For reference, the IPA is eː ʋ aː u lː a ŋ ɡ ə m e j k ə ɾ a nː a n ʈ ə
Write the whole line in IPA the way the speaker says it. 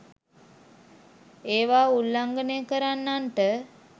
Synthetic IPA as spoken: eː ʋ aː u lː a ŋ ɡ ə n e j k ə ɾ a nː a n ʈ ə

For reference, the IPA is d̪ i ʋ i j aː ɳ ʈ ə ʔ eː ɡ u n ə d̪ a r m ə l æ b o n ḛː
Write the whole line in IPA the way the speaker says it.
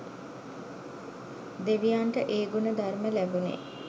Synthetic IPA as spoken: d̪ e ʋ i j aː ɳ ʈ ə ʔ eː ɡ u n ə d̪ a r m ə l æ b u n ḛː

